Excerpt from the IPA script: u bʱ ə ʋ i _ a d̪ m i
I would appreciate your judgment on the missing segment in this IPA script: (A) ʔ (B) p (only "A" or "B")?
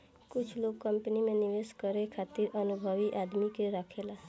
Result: A